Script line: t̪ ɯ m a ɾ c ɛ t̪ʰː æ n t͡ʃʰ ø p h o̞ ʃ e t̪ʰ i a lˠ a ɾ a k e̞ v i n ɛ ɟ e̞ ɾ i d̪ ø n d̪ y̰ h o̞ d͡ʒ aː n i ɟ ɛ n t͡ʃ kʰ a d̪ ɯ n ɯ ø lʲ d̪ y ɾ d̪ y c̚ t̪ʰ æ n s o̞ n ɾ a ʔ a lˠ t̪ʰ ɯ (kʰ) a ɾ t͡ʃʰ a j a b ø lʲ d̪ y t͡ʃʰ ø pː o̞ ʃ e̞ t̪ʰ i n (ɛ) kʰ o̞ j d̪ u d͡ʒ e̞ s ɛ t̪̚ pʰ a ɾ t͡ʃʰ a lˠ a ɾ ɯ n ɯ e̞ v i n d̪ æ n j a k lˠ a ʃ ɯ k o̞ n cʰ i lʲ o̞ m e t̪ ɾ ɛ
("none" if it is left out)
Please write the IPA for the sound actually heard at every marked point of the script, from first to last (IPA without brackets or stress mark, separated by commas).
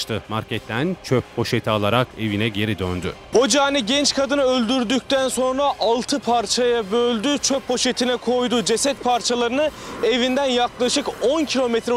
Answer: pʰ, ɛ